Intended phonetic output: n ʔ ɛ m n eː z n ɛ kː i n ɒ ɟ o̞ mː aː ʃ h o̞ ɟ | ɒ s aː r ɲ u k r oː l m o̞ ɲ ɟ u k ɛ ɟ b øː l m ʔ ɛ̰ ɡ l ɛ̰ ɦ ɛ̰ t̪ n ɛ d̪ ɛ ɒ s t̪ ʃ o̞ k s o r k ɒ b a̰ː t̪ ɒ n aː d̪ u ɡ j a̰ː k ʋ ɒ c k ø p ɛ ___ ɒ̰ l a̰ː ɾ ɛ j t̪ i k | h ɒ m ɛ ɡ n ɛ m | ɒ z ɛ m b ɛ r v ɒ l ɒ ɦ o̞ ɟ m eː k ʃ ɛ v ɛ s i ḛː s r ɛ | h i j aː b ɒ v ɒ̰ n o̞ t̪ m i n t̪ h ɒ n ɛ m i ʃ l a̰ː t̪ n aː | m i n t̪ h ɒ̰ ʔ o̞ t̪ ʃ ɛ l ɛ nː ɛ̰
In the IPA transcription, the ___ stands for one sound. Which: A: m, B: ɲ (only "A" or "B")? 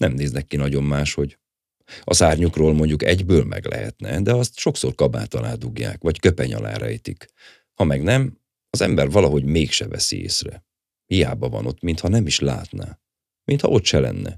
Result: B